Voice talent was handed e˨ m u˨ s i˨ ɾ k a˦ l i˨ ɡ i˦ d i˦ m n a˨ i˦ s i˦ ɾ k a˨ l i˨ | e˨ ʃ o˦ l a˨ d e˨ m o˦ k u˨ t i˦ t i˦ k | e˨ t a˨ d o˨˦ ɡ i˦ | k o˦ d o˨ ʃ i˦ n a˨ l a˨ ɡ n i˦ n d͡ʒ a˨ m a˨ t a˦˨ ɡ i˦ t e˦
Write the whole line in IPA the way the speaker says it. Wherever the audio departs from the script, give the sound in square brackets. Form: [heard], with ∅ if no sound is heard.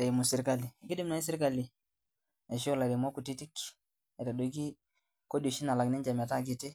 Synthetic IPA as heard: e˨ m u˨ s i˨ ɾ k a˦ l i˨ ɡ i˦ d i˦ m n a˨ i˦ s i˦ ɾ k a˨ l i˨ | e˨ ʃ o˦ l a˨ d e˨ m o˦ k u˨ t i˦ t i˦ k | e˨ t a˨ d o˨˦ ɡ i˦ | k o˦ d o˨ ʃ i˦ n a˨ l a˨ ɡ n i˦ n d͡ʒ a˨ m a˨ t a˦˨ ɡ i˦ t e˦